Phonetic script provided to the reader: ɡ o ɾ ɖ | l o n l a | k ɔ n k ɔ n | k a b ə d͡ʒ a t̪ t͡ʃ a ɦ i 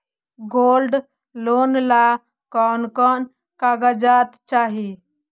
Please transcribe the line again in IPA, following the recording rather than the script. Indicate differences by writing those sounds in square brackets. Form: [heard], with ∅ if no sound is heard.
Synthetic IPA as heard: ɡ o [l] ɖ | l o n l a | k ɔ n k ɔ n | k a [ɡ] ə d͡ʒ a t̪ t͡ʃ a ɦ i